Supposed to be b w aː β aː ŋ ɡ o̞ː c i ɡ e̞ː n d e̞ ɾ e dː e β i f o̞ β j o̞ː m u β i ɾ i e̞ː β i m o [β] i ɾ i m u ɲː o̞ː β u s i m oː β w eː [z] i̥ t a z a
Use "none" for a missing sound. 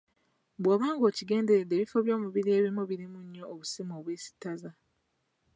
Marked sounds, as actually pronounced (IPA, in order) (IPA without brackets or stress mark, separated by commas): β, s